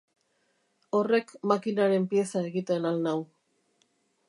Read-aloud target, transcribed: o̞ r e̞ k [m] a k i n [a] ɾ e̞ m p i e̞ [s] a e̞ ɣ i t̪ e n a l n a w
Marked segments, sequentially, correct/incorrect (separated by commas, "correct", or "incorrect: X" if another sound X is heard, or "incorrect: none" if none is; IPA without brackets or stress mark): correct, correct, correct